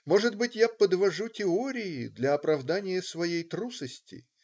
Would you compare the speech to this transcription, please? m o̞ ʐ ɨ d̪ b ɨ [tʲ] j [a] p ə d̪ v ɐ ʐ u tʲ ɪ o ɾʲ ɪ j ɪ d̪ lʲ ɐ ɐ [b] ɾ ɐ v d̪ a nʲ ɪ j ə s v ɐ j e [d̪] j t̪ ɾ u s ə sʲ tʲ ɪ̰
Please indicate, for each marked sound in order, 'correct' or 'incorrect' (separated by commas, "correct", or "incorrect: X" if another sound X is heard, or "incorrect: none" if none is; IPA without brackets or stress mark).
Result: correct, correct, incorrect: p, incorrect: none